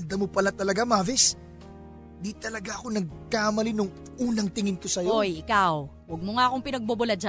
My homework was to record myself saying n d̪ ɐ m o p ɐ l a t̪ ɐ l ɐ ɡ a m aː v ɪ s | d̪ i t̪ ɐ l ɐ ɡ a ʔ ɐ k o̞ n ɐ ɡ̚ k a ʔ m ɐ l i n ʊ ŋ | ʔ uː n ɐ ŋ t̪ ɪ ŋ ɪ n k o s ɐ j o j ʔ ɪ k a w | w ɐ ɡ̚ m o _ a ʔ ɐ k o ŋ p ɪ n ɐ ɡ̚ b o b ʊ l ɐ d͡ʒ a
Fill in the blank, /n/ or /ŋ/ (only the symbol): ŋ